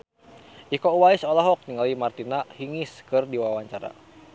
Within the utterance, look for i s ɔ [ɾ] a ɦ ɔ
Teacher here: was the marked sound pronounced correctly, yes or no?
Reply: no